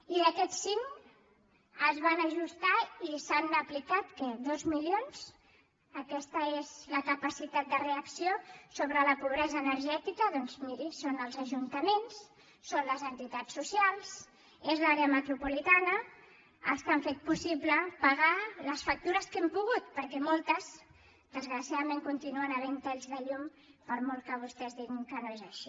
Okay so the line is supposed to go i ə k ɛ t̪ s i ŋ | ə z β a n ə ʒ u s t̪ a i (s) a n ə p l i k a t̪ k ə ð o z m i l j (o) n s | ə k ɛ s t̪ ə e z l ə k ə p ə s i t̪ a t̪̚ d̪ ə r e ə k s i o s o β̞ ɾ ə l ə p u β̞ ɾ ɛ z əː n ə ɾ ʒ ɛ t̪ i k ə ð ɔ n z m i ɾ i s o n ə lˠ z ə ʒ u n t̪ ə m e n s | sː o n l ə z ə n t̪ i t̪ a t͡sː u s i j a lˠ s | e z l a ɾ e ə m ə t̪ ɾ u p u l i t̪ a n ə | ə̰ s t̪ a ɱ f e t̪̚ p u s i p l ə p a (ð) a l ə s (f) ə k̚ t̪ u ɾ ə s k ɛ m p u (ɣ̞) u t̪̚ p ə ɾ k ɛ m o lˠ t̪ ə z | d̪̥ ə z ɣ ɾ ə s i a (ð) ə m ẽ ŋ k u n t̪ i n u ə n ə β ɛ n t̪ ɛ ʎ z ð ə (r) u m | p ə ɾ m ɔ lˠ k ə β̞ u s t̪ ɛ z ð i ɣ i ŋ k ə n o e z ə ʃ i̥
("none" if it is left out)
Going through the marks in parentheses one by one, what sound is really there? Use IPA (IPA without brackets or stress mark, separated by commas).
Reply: s, o, ɣ, f, ɣ̞, ð, ʎ